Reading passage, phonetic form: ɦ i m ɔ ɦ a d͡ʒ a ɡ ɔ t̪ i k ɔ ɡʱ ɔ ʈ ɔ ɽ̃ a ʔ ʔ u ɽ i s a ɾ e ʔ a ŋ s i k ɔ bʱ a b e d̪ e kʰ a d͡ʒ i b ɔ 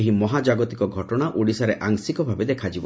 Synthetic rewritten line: ɦ i m ɔ ɦ a d͡ʒ a ɡ ɔ t̪ i k ɔ ɡʱ ɔ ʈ ɔ ɽ̃ a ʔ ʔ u ɽ i s a ɾ e ʔ a ŋ s i k ɔ bʱ a b e d̪ e kʰ a d͡ʒ i b ɔ